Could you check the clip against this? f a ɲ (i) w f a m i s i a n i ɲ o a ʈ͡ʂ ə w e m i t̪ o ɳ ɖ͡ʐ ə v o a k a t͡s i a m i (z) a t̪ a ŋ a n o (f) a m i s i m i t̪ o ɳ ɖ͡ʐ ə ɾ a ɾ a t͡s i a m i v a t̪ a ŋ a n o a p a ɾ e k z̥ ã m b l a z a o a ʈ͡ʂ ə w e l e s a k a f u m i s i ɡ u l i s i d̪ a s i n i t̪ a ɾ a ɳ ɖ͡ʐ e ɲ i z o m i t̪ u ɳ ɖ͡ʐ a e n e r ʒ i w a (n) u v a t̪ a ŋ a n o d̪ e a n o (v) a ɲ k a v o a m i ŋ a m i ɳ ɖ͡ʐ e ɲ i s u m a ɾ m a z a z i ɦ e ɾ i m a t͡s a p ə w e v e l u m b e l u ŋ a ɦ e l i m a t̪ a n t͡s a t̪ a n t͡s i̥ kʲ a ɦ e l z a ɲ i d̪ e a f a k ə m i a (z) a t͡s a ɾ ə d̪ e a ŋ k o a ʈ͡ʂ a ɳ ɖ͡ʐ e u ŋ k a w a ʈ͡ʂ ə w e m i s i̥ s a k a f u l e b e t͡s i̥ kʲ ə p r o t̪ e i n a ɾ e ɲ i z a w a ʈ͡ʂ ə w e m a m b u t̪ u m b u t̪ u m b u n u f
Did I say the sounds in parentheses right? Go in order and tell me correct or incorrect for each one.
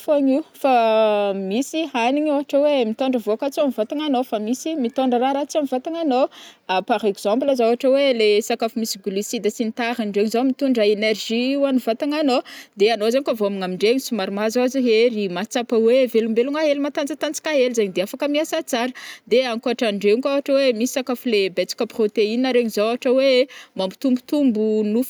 correct, incorrect: v, correct, correct, incorrect: z, incorrect: s

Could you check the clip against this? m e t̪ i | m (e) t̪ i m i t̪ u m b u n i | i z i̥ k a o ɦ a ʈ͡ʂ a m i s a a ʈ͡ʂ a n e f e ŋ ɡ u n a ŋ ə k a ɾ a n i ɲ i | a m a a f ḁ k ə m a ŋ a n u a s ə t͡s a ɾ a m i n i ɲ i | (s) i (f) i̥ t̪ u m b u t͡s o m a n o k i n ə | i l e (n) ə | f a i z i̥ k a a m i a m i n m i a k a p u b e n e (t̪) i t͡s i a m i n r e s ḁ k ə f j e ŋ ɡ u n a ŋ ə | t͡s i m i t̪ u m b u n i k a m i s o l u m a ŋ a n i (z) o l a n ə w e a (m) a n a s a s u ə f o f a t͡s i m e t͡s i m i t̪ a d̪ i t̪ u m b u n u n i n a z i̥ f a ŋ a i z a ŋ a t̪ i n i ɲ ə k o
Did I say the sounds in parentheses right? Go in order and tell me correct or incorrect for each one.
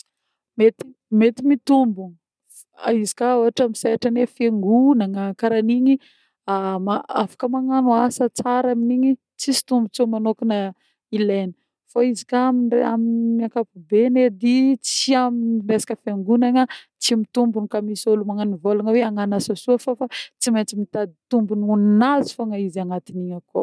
correct, incorrect: t͡s, incorrect: s, correct, incorrect: d̪, incorrect: v, incorrect: ŋ

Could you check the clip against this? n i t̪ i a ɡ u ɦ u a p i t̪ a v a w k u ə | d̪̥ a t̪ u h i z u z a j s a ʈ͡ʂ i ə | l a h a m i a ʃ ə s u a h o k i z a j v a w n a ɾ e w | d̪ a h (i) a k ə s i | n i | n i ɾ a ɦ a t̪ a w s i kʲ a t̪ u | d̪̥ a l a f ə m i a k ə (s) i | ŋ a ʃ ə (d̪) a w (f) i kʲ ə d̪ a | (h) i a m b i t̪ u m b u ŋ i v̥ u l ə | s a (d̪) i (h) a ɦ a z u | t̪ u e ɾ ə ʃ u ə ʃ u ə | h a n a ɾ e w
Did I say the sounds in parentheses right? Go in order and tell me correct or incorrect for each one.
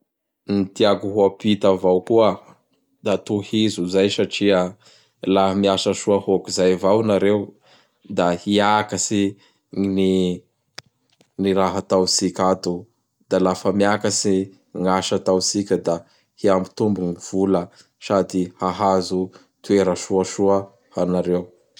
correct, correct, incorrect: t̪, incorrect: s, correct, correct, correct

